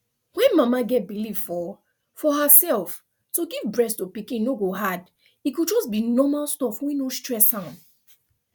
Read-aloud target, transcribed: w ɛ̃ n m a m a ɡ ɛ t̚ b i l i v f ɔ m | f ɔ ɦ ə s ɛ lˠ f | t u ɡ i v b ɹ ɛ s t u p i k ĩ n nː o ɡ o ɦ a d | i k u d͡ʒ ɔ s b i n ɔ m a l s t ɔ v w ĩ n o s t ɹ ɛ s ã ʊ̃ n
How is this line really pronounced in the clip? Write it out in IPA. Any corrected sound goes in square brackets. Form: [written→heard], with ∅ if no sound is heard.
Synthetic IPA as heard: w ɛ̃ n m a m a ɡ ɛ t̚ b i l i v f ɔ [m→∅] | f ɔ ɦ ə s ɛ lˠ f | t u ɡ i v b ɹ ɛ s t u p i k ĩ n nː o ɡ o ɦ a d | i k u d͡ʒ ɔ s b i n ɔ m a l s t ɔ [v→f] w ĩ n o s t ɹ ɛ s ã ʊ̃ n